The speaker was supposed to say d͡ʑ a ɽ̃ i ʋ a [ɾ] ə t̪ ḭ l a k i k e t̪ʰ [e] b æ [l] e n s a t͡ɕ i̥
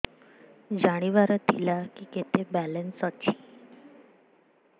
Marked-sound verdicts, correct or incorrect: correct, correct, correct

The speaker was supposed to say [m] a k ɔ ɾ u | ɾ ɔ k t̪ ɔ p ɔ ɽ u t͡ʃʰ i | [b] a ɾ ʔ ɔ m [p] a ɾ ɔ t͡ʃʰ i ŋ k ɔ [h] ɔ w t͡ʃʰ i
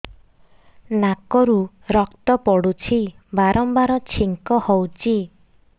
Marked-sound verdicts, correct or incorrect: incorrect, correct, incorrect, correct

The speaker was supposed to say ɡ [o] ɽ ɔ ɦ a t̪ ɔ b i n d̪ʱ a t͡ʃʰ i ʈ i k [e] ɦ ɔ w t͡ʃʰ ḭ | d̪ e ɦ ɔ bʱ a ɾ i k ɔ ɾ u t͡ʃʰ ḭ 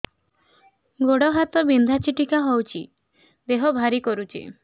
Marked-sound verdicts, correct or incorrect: correct, incorrect

